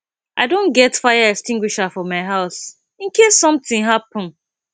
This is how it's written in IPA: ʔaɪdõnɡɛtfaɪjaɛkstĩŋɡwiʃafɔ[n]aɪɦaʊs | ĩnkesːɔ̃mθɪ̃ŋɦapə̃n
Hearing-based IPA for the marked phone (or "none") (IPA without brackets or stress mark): m